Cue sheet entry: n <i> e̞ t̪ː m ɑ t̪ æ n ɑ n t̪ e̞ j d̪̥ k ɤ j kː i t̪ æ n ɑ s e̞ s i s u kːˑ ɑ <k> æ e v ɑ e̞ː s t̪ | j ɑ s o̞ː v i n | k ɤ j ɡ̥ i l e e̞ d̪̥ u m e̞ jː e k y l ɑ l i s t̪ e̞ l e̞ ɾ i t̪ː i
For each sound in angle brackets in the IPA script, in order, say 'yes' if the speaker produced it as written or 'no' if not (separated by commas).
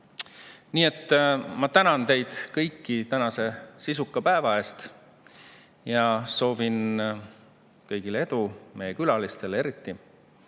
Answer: no, no